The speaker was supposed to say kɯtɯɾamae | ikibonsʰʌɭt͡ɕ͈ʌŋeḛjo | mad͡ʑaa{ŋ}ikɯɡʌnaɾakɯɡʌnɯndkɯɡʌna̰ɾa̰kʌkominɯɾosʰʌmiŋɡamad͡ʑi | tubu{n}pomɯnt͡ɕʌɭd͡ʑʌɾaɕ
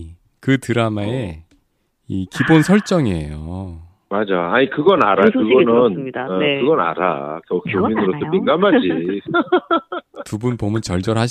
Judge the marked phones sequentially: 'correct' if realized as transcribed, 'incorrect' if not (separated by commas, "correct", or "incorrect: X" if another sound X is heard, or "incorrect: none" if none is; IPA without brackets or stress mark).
incorrect: ɲ, correct